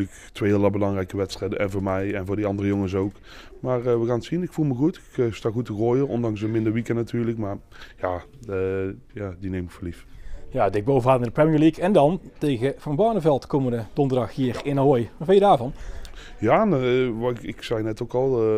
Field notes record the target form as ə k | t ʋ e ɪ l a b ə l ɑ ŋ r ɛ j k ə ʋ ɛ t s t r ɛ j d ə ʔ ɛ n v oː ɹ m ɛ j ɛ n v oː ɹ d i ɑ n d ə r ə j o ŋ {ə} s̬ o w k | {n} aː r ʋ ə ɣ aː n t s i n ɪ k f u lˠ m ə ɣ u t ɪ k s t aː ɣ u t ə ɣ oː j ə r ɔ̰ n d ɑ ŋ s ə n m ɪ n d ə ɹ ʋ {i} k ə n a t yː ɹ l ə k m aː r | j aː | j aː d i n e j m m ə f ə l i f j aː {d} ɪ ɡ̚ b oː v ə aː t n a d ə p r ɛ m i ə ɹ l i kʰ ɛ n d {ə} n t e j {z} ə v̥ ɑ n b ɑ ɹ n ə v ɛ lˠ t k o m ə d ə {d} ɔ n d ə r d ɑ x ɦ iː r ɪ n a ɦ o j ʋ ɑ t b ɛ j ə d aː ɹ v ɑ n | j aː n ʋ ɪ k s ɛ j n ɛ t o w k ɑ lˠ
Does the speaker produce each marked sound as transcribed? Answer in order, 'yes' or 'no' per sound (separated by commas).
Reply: yes, no, yes, yes, no, no, yes